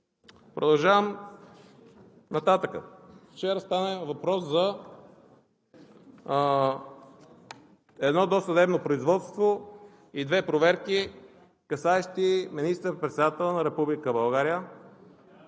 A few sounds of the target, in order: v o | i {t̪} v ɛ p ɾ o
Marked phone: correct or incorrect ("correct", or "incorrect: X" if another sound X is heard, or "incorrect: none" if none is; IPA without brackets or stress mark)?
incorrect: d̪